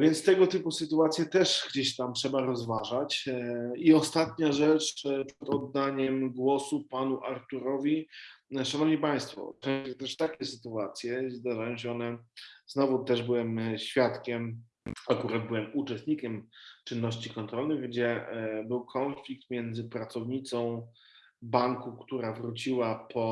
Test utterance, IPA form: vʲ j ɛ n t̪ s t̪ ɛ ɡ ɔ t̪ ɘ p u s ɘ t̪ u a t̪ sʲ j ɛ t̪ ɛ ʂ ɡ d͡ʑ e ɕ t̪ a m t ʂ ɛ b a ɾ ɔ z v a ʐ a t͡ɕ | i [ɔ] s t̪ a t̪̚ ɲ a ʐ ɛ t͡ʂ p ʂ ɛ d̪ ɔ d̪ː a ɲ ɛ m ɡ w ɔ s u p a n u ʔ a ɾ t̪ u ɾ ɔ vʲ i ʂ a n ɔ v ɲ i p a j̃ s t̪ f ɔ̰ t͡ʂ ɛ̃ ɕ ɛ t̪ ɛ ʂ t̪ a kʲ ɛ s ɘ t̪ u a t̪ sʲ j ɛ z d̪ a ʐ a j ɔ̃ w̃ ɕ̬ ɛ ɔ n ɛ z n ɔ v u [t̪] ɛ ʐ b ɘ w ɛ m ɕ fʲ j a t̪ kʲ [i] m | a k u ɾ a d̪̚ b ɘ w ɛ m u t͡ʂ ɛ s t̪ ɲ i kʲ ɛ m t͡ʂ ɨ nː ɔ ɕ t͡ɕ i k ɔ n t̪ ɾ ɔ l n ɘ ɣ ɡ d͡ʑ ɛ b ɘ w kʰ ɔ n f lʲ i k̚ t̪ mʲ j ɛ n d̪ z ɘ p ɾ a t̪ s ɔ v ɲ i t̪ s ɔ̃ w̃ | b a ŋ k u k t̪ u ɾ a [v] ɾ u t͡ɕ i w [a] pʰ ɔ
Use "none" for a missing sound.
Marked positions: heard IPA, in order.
ɔ, t̪, ɛ, v, a

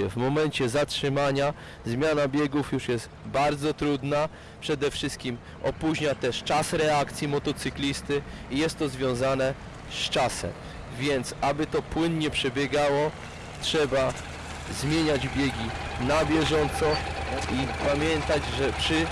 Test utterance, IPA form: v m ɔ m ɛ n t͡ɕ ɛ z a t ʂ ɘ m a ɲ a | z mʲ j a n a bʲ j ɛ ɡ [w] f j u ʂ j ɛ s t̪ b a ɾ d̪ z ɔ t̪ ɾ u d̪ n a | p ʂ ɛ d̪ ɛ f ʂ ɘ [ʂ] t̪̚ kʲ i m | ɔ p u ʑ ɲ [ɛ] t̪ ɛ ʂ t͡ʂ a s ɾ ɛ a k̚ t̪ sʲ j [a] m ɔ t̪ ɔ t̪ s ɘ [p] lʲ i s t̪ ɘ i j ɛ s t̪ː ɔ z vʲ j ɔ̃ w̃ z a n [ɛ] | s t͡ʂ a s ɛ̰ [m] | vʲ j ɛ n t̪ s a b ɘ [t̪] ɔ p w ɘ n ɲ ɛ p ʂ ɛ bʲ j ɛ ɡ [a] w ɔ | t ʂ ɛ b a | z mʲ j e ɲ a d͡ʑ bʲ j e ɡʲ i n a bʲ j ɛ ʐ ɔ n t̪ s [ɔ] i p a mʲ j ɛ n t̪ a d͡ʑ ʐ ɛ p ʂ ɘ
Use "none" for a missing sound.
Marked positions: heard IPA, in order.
u, s, a, i, k, ɛ, m, t̪, a, ɔ

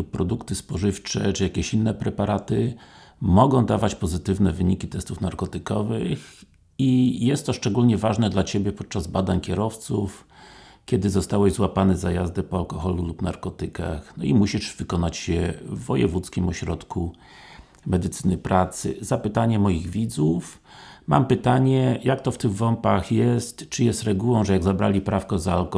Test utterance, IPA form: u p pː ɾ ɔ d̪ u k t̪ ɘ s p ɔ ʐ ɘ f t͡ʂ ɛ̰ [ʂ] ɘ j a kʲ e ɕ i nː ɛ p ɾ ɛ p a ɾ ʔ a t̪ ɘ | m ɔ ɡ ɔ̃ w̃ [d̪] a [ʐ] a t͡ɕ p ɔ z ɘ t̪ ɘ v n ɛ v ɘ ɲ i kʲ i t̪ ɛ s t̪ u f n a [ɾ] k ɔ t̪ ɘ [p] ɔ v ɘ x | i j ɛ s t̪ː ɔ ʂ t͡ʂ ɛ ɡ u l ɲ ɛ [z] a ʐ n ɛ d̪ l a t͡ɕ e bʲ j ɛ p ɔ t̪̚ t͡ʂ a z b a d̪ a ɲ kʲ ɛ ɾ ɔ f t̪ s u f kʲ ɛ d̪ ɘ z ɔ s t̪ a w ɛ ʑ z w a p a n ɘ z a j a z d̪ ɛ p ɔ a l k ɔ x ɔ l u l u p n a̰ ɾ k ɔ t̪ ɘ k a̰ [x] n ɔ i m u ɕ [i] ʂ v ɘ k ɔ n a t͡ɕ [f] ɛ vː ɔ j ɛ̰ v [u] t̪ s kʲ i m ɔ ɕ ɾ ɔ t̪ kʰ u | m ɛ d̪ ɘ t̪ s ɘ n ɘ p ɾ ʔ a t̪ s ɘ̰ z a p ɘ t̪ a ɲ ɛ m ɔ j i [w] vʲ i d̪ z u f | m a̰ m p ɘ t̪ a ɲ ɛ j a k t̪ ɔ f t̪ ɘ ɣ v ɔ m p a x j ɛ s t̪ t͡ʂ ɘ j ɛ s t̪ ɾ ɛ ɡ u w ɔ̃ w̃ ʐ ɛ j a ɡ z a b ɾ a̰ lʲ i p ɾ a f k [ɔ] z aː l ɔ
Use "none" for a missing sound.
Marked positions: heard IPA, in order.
t͡ʂ, d̪, v, ɾ, k, v, x, i, ɕ, u, ɣ, ɔ

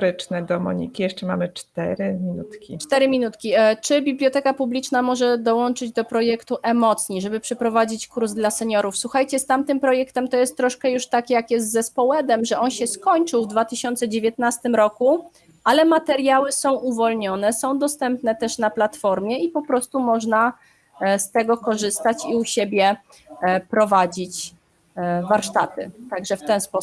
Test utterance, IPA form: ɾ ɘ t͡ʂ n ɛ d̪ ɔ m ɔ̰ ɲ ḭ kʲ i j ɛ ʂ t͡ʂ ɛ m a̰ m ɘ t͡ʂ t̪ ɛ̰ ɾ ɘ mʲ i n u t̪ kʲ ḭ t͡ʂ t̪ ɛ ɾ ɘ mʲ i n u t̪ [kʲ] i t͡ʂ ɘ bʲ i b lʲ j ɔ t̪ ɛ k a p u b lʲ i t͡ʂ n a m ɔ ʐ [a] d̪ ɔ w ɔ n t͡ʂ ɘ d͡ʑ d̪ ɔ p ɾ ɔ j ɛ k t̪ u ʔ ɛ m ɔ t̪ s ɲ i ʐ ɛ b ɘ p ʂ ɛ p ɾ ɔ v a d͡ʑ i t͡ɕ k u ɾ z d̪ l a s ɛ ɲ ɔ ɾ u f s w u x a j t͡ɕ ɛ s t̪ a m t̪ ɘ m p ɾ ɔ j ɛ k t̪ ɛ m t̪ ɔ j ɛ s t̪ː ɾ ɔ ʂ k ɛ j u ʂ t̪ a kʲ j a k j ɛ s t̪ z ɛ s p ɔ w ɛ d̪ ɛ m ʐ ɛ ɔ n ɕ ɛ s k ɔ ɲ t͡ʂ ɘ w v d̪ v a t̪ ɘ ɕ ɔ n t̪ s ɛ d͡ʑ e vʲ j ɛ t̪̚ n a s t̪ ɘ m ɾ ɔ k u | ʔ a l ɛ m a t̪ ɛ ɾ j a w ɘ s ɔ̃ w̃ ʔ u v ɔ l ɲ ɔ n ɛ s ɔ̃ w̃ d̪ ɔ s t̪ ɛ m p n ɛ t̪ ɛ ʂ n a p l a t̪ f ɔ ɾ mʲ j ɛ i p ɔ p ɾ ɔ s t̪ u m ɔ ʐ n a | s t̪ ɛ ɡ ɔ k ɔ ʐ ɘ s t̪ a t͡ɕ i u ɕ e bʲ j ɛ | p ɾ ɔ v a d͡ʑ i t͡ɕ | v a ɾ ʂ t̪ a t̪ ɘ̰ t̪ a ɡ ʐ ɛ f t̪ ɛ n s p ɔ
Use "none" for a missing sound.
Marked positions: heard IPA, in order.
kʲ, ɛ

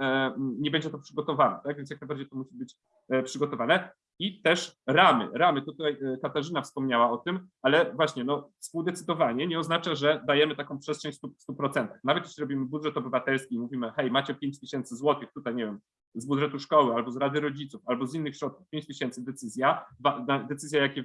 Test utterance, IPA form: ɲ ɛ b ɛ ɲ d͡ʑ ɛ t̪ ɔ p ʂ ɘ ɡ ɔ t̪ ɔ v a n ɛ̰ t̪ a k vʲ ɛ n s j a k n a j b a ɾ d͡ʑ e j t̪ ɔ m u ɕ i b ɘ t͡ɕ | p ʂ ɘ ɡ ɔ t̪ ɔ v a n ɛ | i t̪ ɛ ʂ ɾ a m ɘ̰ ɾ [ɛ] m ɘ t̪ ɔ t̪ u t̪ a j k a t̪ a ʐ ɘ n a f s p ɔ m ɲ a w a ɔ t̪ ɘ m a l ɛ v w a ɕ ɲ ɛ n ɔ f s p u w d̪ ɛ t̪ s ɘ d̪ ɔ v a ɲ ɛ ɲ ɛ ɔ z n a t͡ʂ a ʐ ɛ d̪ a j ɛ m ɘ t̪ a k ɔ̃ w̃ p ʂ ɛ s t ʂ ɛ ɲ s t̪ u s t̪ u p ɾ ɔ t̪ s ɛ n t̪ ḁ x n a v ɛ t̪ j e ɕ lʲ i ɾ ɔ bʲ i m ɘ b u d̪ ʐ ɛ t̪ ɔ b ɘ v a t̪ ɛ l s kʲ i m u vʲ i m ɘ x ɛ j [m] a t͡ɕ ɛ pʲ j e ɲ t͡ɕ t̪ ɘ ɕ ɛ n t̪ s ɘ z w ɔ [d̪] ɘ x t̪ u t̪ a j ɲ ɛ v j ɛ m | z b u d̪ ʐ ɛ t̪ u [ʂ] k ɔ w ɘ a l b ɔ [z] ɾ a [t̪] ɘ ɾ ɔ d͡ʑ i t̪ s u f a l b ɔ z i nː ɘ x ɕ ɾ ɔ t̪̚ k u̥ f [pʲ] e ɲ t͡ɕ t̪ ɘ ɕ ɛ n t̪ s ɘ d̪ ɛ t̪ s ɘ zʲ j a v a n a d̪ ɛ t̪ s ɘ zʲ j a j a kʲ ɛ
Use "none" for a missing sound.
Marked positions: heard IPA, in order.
a, m, t̪, ʂ, z, d̪, pʲ

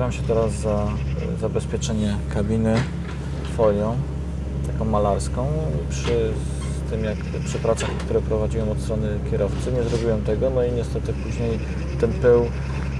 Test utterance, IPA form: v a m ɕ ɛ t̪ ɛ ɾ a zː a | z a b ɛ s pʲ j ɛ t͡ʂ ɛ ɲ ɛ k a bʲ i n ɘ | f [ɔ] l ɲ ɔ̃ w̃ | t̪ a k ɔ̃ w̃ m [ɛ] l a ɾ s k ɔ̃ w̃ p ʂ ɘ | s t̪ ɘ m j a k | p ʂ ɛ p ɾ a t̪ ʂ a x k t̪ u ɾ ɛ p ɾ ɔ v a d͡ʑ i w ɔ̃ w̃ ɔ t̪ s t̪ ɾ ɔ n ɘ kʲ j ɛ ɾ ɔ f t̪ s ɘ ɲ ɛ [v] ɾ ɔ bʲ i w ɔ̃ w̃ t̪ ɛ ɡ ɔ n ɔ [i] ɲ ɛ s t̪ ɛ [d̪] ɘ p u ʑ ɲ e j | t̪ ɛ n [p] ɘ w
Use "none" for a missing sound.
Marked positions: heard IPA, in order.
ɔ, a, z, i, t̪, p

